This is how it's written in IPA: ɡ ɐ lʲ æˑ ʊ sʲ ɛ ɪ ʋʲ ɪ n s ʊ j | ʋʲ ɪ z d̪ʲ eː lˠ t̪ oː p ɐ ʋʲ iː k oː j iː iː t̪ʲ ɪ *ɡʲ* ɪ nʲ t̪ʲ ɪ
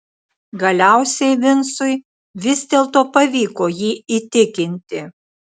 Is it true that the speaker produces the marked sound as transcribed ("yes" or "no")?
no